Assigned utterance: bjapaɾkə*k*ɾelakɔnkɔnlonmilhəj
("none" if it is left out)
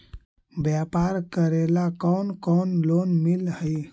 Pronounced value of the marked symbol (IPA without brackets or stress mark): none